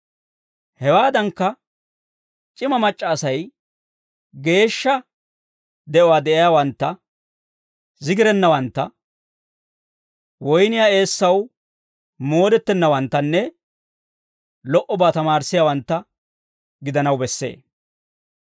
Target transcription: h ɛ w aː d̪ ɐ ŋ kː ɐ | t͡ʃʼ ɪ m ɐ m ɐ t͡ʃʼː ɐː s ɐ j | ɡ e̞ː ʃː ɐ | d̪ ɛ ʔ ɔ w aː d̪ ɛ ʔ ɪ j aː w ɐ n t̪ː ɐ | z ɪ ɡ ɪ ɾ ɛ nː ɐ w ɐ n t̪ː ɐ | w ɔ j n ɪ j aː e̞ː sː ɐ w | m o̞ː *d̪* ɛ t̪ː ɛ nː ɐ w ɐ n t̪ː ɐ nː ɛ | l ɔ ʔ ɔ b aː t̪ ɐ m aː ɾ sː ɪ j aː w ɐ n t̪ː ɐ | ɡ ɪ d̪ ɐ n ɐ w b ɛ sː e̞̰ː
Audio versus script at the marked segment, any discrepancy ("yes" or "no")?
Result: no